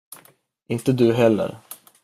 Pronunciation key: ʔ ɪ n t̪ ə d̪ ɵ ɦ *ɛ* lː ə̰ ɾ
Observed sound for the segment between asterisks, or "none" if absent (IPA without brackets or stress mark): ɛ